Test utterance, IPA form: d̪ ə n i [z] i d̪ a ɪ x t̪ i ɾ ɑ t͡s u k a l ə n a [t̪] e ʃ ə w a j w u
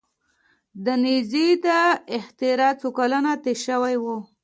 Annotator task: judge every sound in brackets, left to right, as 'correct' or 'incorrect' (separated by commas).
correct, correct